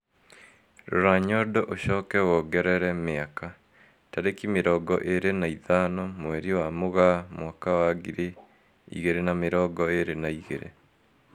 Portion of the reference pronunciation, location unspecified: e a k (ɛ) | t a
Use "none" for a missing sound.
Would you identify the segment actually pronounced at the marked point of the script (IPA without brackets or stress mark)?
a